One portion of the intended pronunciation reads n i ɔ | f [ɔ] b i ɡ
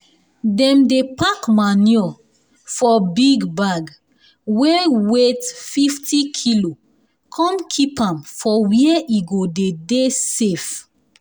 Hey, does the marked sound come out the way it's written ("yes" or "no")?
yes